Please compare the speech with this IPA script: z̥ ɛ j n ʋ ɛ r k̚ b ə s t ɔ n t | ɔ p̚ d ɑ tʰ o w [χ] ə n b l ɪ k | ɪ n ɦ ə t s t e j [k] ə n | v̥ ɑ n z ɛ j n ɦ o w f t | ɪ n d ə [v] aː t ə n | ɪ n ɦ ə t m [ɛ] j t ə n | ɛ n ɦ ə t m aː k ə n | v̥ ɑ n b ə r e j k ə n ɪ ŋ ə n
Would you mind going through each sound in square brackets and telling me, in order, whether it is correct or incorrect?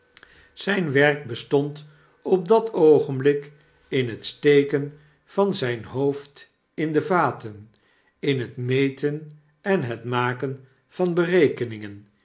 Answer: correct, correct, correct, incorrect

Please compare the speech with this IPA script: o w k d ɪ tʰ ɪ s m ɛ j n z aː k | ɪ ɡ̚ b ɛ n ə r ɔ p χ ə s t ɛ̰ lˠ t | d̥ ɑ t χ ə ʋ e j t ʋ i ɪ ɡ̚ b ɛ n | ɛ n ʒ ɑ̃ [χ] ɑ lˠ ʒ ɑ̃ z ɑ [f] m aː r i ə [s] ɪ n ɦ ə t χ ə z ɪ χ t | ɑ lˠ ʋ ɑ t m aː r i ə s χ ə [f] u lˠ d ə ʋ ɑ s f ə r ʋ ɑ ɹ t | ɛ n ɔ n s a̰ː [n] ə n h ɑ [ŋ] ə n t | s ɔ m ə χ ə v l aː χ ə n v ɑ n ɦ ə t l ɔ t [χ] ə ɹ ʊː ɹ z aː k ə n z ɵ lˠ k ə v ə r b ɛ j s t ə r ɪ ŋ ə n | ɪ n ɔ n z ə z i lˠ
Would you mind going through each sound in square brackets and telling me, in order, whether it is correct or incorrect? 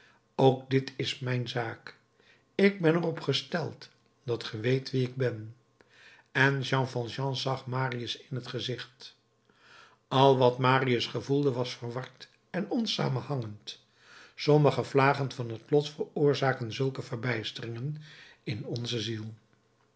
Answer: incorrect, incorrect, correct, incorrect, incorrect, correct, incorrect

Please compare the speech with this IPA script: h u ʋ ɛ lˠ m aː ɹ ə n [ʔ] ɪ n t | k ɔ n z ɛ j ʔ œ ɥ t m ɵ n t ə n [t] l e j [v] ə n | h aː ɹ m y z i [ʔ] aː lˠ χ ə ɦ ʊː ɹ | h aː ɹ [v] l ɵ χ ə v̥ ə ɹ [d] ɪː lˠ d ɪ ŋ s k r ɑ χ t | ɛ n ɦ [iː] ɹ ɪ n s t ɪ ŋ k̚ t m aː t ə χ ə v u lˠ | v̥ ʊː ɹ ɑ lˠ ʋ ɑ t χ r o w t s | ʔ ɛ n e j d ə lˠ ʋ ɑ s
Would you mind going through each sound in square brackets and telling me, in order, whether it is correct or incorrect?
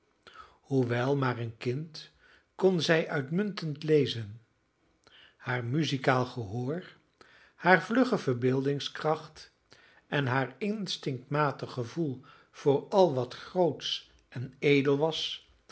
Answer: incorrect, correct, incorrect, incorrect, correct, incorrect, incorrect

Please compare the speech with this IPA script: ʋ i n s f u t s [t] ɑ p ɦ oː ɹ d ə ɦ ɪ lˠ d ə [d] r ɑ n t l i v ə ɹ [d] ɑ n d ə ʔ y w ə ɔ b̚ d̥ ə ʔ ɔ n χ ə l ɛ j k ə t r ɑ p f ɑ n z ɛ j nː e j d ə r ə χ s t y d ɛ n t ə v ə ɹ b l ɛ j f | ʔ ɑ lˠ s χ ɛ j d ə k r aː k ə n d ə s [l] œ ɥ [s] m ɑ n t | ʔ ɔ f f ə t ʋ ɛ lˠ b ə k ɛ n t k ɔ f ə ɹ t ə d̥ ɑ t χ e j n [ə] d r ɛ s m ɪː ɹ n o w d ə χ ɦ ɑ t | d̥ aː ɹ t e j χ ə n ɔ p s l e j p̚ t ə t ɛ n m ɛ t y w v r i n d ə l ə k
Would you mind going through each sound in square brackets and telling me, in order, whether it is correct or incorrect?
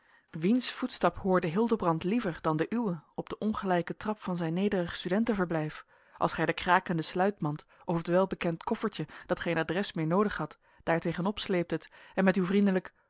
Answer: correct, incorrect, correct, correct, incorrect, incorrect

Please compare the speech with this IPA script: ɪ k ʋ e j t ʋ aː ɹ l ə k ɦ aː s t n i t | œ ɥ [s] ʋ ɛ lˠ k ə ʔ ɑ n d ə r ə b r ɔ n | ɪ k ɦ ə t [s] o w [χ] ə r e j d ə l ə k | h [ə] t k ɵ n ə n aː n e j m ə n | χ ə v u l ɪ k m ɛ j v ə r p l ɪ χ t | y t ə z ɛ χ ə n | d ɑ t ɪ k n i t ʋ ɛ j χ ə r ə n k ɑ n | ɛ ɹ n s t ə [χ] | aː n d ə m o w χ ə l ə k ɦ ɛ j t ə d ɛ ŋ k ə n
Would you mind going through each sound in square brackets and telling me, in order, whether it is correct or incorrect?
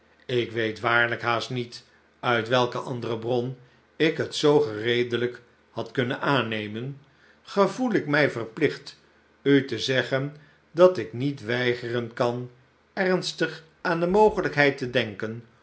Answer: incorrect, correct, correct, incorrect, correct

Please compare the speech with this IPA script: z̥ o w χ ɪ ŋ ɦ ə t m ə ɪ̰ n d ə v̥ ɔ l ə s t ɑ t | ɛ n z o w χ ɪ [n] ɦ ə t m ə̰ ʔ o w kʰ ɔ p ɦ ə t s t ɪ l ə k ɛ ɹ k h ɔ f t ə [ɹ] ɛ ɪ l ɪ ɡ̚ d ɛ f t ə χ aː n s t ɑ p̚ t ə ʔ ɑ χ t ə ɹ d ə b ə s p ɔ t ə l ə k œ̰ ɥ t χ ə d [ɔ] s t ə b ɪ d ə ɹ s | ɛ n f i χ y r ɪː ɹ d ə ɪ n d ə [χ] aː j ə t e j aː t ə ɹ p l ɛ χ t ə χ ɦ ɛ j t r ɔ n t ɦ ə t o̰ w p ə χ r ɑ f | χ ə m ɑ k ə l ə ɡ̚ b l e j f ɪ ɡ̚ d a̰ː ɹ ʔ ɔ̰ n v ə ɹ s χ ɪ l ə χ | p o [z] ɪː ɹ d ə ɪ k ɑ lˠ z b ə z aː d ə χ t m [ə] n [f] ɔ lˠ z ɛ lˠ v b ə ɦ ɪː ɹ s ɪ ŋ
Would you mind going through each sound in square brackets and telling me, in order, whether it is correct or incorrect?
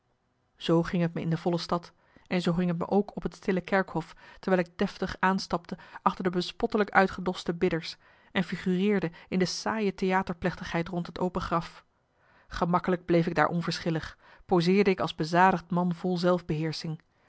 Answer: incorrect, correct, correct, incorrect, correct, incorrect, incorrect

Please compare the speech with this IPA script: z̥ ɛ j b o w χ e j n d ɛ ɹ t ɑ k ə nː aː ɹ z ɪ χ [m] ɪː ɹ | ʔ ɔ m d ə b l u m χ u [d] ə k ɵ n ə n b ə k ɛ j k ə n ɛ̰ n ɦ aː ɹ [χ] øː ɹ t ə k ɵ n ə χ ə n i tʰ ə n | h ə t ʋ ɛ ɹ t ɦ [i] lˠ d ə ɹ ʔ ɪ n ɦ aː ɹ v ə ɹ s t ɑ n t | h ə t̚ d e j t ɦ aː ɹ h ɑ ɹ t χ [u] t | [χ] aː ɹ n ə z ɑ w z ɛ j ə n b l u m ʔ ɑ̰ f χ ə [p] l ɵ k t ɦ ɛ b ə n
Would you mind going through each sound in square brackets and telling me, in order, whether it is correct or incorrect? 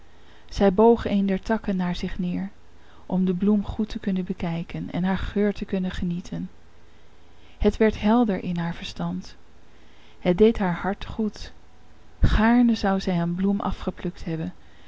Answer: incorrect, incorrect, correct, incorrect, correct, correct, correct

